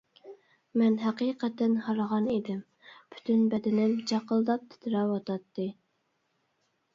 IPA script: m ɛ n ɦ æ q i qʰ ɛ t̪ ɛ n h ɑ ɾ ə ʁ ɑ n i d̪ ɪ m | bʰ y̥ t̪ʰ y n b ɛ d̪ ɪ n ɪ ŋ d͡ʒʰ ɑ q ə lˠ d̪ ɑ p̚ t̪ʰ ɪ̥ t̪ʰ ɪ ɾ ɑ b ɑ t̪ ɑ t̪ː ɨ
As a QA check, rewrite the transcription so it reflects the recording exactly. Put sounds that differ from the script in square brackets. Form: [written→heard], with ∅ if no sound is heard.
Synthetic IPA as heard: m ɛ n ɦ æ q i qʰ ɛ t̪ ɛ n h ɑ ɾ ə ʁ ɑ n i d̪ ɪ m | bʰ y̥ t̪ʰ y n b ɛ d̪ ɪ n ɪ [ŋ→m] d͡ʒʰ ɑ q ə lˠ d̪ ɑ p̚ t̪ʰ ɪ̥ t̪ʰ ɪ ɾ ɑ [b→w] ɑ t̪ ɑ t̪ː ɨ